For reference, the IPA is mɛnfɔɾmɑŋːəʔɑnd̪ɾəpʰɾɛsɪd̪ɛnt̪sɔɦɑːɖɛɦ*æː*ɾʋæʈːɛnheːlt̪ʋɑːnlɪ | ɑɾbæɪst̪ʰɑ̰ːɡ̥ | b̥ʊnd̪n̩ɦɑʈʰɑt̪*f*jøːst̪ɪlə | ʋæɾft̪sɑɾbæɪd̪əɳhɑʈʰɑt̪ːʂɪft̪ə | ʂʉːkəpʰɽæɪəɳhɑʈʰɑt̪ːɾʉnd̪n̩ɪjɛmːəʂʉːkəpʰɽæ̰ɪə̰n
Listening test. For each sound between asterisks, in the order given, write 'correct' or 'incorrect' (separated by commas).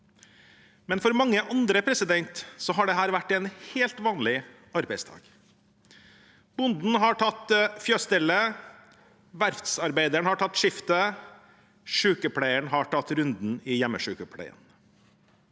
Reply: correct, correct